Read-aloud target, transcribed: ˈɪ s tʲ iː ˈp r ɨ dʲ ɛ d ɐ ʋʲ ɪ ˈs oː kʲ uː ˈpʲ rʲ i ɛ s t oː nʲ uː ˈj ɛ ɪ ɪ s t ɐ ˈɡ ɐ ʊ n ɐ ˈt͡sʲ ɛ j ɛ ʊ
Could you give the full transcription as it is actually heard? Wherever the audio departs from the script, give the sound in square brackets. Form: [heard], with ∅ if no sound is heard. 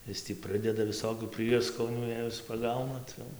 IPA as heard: ˈɪ s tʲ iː ˈp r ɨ dʲ ɛ d ɐ ʋʲ ɪ ˈs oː kʲ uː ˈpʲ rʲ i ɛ s [k] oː nʲ uː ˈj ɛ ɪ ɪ s [p] ɐ ˈɡ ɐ ʊ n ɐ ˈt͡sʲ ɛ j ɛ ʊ